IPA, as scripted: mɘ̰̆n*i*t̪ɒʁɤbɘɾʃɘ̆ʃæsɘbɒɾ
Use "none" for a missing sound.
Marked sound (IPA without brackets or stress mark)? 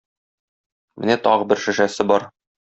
æ